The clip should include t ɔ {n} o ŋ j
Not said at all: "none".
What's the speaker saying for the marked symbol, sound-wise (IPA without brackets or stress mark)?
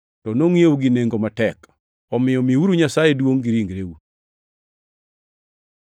n